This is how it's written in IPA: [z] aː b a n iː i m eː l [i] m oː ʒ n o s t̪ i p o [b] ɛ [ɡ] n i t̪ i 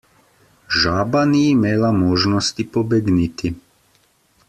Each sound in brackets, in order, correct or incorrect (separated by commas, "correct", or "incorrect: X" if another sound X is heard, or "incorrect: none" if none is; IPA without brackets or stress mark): incorrect: ʒ, incorrect: a, correct, correct